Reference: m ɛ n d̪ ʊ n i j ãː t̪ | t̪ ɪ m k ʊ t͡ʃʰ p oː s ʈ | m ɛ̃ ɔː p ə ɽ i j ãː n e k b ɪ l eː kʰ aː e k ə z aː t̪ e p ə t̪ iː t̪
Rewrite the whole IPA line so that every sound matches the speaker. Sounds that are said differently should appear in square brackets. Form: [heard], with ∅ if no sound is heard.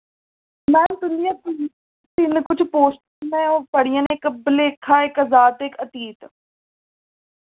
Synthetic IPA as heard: m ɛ n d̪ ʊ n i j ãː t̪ | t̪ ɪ [n] k ʊ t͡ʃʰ p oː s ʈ | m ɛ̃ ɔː p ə ɽ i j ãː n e k b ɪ l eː kʰ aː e k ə z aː t̪ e [k] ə t̪ iː t̪